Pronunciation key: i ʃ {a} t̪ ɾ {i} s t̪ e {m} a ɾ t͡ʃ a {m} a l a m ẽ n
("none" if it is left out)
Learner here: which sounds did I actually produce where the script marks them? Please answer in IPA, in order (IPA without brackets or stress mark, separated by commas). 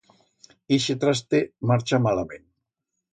e, a, m, m